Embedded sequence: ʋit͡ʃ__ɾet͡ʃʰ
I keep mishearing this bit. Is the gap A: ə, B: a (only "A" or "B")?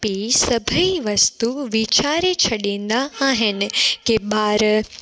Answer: B